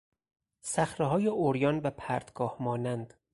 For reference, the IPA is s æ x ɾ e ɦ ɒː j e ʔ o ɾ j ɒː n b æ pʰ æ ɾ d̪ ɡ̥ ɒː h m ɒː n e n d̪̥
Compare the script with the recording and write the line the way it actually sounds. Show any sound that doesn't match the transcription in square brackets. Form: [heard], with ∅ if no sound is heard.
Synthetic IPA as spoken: s æ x ɾ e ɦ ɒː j e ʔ o ɾ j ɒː n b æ pʰ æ ɾ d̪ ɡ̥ ɒː h m ɒː n [æ] n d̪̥